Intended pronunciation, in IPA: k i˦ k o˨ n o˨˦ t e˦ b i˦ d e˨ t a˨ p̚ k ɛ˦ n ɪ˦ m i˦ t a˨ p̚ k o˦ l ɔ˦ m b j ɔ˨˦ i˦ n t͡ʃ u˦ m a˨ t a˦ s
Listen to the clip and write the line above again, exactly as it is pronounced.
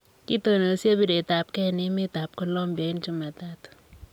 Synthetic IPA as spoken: k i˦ t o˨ n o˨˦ s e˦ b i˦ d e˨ t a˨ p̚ k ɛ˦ n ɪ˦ m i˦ t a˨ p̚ k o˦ l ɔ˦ m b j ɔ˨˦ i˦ n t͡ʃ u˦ m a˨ t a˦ t